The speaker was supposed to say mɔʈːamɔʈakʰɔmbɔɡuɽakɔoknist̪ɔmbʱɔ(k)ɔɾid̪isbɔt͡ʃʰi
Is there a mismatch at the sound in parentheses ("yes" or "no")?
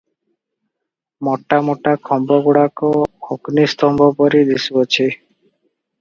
yes